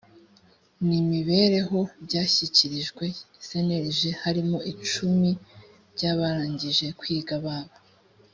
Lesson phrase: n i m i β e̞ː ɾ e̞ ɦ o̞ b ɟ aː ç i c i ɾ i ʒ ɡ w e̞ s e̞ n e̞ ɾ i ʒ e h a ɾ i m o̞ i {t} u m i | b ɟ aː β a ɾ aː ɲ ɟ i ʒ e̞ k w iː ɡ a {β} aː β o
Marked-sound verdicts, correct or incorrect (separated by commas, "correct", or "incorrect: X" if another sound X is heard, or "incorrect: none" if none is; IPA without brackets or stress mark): incorrect: t͡ʃ, correct